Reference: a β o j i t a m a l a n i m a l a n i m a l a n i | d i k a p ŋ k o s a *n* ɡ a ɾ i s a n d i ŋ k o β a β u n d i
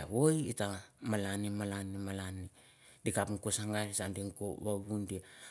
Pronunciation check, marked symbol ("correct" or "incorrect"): incorrect